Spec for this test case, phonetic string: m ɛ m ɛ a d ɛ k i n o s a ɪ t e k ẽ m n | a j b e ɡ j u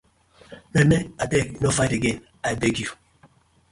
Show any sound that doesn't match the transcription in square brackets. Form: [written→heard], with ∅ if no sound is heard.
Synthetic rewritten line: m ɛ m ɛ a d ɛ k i n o [s→f] a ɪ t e [k→ɡ] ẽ [m→∅] n | a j b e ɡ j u